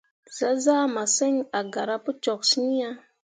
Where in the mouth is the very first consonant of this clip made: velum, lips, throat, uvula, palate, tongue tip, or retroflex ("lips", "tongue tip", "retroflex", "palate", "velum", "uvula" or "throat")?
tongue tip